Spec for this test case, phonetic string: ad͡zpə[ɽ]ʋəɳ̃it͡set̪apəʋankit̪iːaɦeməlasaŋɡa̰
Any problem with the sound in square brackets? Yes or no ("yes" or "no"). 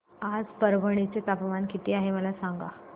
yes